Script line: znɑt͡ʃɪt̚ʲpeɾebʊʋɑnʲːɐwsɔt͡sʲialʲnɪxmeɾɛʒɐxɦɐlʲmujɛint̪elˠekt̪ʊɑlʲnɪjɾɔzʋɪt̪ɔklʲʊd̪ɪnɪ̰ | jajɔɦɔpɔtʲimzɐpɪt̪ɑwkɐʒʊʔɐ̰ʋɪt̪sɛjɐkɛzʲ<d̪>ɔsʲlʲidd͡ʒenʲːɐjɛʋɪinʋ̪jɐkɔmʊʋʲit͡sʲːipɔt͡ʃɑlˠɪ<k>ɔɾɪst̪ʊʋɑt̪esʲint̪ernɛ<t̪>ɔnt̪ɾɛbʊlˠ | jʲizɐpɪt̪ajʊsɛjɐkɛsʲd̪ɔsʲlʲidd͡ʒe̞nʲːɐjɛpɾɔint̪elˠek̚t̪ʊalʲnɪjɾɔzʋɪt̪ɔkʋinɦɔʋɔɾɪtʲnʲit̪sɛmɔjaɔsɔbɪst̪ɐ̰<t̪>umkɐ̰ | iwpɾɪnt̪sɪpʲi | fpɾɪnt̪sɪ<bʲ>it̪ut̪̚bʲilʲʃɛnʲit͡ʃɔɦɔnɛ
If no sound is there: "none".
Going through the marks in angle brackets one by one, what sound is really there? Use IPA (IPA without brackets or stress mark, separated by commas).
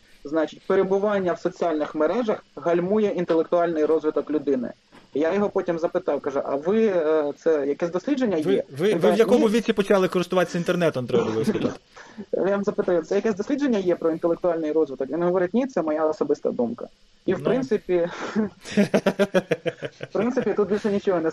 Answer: d̪, k, t̪, d̪, pʲ